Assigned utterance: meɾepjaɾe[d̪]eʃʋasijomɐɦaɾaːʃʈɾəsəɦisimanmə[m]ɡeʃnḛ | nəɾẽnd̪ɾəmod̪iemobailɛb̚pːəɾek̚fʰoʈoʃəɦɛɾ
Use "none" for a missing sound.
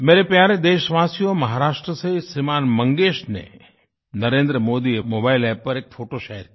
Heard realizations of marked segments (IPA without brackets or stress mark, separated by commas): d̪, ŋ